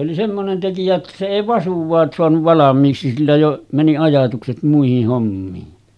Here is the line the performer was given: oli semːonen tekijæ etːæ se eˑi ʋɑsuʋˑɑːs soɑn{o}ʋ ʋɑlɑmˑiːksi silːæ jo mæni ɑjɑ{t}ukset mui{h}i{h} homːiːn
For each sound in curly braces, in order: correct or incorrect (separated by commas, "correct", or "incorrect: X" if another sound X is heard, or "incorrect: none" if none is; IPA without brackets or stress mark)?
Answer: incorrect: u, correct, correct, correct